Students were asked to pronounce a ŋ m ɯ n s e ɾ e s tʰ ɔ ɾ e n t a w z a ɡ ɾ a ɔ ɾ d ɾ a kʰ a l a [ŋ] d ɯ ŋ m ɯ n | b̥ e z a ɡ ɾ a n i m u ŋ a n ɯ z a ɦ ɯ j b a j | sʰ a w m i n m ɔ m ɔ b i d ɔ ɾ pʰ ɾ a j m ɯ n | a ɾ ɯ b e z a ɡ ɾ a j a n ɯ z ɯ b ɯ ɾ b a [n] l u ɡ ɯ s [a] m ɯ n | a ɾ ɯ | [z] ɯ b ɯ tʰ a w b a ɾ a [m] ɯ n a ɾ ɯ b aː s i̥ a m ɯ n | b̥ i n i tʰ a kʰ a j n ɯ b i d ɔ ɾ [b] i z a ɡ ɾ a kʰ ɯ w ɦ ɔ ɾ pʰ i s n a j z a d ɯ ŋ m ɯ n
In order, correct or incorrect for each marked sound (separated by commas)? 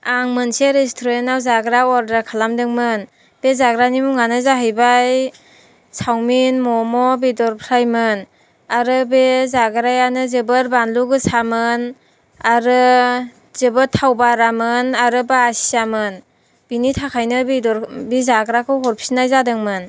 incorrect, correct, correct, correct, correct, correct